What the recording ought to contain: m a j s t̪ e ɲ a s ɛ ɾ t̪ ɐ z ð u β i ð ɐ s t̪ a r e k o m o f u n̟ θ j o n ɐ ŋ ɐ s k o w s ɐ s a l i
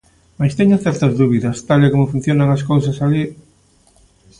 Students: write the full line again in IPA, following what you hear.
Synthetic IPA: m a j s t̪ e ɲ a θ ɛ ɾ t̪ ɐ z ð u β i ð ɐ s t̪ a l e k o m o f u n̟ θ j o n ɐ ŋ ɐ s k o w s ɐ s a l i